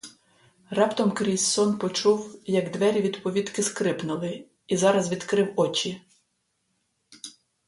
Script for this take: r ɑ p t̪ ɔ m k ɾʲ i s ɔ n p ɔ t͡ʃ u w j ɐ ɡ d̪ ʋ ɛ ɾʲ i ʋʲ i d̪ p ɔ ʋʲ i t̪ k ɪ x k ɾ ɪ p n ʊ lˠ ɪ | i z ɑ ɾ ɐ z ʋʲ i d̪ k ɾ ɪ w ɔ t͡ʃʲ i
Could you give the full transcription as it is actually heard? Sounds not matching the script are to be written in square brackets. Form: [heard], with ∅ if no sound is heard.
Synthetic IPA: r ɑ p t̪ ɔ m k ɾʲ i s ɔ n p ɔ t͡ʃ u w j ɐ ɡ d̪ ʋ ɛ ɾʲ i ʋʲ i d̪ p ɔ ʋʲ i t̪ k ɪ [s] k ɾ ɪ p n ʊ lˠ ɪ | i z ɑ ɾ ɐ z ʋʲ i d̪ k ɾ ɪ w ɔ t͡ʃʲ i

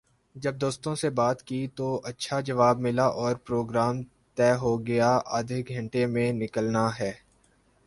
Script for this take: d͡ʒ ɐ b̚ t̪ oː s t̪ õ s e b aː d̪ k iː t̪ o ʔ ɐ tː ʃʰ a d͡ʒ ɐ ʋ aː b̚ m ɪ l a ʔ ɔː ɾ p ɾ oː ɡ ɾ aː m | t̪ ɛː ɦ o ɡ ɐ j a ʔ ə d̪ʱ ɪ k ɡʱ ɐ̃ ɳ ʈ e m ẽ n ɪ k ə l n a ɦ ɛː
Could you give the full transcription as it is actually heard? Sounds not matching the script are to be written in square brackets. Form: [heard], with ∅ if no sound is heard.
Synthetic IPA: d͡ʒ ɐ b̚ [d̪] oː s t̪ õ s e b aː [t̪] k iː t̪ o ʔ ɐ tː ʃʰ a d͡ʒ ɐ ʋ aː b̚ m ɪ l a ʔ ɔː ɾ p ɾ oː ɡ ɾ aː m | t̪ ɛː ɦ o ɡ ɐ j a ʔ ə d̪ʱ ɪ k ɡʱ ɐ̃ ɳ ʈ e m ẽ n ɪ k ə l n a ɦ ɛː

